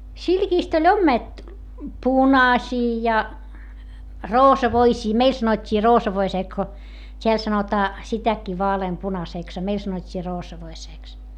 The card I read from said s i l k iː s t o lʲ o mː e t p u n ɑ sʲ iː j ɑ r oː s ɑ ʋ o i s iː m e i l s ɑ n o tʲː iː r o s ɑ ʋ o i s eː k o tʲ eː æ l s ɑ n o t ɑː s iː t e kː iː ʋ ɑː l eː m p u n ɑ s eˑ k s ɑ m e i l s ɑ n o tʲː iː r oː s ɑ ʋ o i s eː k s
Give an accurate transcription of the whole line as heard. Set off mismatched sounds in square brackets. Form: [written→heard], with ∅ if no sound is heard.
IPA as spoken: s i l k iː s t o lʲ o mː e t p u n ɑ sʲ iː j ɑ r oː s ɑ ʋ o i s iː m e i l s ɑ n o tʲː iː r [o→oː] s ɑ ʋ o i s eː k o tʲ [eː→e] æ l s ɑ n o t ɑː s [iː→i] t [e→æ] kː iː ʋ ɑː l eː m p u n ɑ s eˑ k s ɑ m e i l s ɑ n o tʲː iː r oː s ɑ ʋ o i s eː k s